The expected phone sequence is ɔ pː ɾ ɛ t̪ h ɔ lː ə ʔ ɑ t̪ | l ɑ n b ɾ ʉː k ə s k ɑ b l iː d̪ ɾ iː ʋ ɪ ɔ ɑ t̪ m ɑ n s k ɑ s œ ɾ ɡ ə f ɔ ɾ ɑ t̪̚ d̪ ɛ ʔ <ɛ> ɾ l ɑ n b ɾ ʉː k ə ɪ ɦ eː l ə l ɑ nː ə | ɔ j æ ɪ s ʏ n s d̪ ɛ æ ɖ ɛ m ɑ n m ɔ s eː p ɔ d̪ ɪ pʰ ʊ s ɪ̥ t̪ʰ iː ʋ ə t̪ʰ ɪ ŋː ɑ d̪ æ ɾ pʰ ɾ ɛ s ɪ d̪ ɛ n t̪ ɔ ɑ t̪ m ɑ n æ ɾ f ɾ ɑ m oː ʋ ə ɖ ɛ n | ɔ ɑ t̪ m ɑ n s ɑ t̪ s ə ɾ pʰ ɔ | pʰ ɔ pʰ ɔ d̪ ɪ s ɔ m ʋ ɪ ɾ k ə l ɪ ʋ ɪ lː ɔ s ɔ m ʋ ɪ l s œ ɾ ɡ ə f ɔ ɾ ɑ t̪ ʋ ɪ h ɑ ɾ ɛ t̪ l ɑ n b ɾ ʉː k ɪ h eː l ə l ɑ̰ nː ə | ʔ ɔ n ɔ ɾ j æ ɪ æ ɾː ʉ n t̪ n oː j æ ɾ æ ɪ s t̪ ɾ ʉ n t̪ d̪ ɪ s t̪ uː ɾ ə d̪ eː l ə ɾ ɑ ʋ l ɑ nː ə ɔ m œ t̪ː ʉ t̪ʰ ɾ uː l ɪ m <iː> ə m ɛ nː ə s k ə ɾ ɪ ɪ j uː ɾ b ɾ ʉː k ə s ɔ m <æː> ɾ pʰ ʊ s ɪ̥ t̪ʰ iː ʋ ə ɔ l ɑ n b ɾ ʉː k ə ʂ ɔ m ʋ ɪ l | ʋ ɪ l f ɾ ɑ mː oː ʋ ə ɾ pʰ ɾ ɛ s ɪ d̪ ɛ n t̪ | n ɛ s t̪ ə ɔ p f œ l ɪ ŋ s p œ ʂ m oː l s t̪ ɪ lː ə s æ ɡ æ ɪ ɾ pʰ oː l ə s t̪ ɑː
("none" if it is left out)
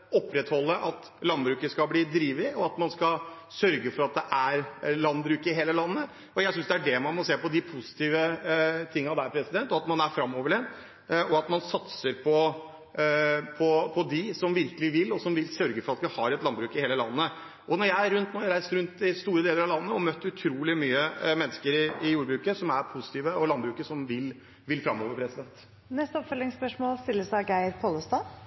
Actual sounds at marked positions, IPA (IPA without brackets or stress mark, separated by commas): æ, yː, æ